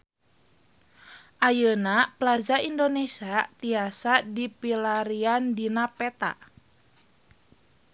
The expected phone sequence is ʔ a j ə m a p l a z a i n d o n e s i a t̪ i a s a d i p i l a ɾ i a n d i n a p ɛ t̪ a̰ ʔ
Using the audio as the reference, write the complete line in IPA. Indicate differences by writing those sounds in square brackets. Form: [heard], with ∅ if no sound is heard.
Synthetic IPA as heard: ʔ a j ə [n] a p l a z a i n d o n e s i a t̪ i a s a d i p i l a ɾ i a n d i n a p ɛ t̪ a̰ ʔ